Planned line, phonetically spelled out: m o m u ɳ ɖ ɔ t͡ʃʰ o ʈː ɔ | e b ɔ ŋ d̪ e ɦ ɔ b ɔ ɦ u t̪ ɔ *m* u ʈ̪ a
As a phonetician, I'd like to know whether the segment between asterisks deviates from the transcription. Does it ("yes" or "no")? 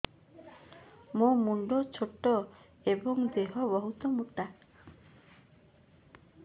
no